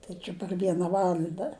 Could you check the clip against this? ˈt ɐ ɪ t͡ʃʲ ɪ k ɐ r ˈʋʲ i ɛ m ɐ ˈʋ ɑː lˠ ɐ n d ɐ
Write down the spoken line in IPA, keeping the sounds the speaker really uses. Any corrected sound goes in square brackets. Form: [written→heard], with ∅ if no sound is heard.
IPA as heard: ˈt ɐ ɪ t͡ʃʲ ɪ [k→p] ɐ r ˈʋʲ i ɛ [m→n] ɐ ˈʋ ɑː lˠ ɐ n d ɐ